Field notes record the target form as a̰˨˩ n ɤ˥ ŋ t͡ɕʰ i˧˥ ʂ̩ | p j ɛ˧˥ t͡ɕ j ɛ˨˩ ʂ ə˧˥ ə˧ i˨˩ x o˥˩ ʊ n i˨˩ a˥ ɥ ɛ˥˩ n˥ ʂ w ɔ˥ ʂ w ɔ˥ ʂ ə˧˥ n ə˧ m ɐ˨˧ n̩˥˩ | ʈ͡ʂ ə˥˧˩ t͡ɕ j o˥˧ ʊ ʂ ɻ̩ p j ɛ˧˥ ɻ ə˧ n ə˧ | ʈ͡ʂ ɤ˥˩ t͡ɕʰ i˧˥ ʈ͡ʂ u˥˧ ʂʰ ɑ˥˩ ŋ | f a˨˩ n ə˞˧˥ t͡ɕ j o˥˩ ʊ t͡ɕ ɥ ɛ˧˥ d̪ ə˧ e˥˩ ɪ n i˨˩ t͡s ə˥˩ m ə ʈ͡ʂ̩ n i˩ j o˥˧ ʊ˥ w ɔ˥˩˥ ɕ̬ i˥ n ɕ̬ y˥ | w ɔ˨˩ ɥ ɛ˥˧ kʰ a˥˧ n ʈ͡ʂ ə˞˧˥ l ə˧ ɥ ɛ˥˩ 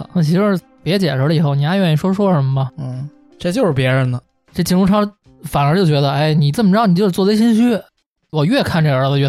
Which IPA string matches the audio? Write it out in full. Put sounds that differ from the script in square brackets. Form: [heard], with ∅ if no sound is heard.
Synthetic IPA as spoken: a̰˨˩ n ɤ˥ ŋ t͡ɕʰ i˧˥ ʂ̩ | p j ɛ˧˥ t͡ɕ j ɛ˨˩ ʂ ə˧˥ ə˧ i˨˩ x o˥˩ ʊ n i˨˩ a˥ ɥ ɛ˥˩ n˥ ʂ w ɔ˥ ʂ w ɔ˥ ʂ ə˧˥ [m] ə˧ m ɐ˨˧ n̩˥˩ | ʈ͡ʂ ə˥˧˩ t͡ɕ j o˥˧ ʊ ʂ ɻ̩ p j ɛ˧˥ ɻ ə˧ n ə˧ | ʈ͡ʂ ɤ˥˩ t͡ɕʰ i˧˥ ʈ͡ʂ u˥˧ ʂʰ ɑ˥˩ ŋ | f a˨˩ n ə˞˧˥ t͡ɕ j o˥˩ ʊ t͡ɕ ɥ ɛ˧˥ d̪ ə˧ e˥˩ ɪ n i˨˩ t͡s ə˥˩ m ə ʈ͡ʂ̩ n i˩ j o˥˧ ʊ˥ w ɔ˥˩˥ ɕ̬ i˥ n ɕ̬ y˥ | w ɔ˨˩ ɥ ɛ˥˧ kʰ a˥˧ n ʈ͡ʂ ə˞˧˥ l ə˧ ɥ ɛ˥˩